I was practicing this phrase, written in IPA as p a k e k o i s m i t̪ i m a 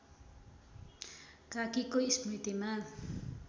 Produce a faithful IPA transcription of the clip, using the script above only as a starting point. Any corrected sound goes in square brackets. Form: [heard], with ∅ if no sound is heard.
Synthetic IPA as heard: [k] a k [i] k o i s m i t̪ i m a